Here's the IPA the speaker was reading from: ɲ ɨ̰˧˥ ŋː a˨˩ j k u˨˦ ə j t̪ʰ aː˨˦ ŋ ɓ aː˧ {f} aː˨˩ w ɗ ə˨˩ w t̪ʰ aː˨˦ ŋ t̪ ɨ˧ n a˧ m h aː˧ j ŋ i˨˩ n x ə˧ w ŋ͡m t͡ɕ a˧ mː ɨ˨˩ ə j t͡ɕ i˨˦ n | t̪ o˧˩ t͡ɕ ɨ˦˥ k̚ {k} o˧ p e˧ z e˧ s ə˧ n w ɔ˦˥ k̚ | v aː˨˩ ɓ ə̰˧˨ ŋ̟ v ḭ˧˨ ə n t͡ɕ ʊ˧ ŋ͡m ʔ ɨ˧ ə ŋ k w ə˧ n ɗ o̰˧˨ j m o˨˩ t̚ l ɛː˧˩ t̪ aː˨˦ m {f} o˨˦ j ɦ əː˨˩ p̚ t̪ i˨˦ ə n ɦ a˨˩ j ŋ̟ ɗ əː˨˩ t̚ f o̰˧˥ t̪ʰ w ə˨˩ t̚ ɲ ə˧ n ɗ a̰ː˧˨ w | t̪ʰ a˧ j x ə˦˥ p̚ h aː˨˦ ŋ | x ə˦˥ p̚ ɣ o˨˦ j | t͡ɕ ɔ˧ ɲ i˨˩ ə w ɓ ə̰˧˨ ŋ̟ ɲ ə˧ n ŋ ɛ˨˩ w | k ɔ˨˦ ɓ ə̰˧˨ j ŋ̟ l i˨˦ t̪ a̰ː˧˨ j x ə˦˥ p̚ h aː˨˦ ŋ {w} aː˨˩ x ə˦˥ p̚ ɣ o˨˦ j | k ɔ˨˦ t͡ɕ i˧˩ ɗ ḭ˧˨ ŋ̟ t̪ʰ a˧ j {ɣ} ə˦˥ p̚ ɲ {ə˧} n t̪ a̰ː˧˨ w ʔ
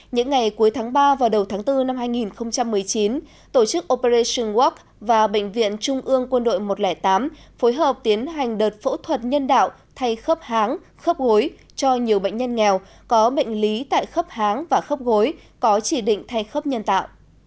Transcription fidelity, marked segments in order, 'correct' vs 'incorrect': incorrect: v, incorrect: ʔ, correct, incorrect: v, incorrect: x, correct

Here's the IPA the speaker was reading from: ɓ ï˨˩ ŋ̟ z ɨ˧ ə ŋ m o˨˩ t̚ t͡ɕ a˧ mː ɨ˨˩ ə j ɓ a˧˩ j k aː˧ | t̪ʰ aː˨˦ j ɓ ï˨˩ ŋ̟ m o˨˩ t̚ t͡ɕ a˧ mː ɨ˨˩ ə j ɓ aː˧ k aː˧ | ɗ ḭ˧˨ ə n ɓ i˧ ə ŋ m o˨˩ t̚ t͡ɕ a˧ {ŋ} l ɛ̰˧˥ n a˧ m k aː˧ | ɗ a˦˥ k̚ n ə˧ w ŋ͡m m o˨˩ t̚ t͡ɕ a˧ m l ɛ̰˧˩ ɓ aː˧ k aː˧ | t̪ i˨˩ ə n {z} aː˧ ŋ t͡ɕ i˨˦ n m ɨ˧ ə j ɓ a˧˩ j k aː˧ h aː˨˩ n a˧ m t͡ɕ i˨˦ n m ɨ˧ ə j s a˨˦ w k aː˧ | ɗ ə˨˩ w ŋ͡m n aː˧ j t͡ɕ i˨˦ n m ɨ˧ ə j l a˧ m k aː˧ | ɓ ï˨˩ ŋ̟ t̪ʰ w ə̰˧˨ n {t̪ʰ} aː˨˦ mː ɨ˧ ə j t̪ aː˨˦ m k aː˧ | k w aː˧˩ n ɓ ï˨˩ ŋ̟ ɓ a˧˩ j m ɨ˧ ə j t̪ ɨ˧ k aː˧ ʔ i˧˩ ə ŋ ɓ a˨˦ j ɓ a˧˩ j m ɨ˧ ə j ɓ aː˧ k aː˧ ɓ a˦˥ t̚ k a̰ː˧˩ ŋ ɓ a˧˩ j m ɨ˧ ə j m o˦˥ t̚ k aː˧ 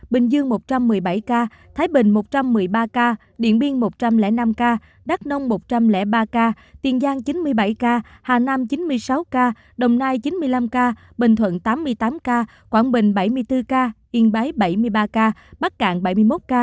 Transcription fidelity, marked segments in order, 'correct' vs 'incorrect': incorrect: m, correct, incorrect: t̪

